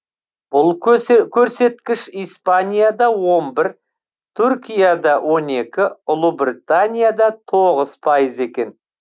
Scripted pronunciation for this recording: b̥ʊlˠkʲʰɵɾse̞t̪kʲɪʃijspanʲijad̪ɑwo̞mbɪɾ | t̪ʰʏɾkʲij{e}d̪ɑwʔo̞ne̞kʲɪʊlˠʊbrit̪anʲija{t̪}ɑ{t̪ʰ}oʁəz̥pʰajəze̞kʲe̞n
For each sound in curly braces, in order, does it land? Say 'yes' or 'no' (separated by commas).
no, no, yes